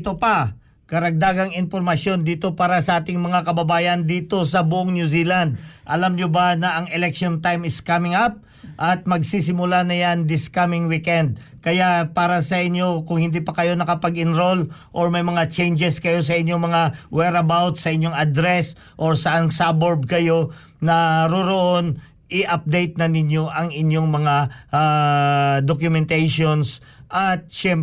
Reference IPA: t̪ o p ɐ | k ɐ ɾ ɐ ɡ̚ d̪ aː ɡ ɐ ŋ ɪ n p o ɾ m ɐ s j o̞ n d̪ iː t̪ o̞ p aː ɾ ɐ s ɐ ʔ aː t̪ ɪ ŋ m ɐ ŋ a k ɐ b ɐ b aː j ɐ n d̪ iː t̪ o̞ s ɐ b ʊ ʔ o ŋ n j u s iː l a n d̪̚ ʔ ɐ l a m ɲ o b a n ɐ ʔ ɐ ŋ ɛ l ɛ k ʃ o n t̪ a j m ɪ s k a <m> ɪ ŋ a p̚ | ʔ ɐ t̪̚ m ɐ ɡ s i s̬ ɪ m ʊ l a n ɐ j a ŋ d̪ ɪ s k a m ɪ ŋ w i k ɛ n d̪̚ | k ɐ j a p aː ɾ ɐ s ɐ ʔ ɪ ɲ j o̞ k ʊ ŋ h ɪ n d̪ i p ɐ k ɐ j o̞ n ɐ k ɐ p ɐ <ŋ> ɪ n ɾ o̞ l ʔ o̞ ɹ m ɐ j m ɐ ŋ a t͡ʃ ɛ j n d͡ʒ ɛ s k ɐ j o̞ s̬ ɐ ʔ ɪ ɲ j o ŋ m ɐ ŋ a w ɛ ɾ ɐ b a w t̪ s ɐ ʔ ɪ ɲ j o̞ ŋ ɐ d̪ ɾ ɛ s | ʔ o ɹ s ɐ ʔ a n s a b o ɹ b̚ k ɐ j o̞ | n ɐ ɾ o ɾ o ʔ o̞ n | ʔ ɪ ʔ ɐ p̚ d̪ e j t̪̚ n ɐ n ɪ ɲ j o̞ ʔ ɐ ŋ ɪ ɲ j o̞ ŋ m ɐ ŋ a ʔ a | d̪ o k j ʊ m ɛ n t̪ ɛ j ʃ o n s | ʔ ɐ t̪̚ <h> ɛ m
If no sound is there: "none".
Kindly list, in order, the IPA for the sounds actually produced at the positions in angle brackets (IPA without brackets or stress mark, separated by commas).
m, ɡ, ʃ